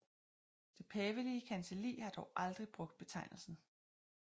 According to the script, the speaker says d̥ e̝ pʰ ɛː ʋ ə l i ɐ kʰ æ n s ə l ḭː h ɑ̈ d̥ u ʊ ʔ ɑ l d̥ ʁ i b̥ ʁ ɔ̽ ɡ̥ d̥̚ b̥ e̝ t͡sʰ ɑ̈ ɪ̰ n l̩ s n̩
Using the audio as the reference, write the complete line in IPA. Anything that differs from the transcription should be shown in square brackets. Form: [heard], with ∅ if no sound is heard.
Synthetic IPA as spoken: d̥ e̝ pʰ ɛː ʋ ə l i [ə] kʰ æ n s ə l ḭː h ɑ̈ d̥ [ɒ] ʊ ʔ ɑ l d̥ ʁ i b̥ ʁ ɔ̽ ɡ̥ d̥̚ b̥ e̝ t͡sʰ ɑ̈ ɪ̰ n l̩ s n̩